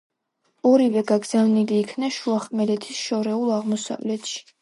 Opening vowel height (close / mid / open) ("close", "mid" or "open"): mid